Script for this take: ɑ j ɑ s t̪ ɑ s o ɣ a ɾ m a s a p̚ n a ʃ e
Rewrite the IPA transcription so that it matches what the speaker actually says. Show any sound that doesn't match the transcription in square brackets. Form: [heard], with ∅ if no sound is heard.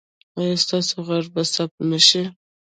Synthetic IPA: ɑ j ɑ s t̪ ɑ s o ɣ a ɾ [b] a s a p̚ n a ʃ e